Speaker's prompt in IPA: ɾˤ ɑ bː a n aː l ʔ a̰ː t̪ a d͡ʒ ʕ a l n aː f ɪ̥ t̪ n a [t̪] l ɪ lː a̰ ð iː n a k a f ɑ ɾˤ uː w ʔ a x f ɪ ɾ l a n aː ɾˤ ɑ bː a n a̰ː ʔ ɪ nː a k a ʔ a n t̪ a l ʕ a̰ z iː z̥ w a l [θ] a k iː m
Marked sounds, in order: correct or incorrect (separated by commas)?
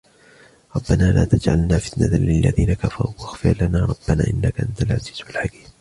correct, incorrect